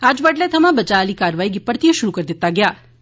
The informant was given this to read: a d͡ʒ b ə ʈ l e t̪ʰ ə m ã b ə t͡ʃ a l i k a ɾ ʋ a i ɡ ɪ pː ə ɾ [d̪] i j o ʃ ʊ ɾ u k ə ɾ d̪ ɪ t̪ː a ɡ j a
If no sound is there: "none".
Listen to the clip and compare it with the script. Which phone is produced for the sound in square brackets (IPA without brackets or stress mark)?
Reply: t̪